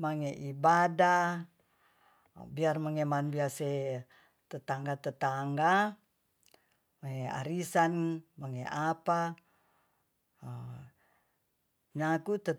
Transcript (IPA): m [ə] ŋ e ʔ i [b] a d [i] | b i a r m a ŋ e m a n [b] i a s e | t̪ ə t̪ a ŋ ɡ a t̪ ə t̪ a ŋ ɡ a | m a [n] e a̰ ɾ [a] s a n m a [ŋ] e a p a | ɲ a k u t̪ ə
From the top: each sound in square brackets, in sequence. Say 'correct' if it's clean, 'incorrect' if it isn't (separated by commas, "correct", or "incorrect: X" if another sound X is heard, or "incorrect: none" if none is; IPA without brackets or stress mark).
incorrect: a, correct, incorrect: a, correct, incorrect: ŋ, incorrect: i, correct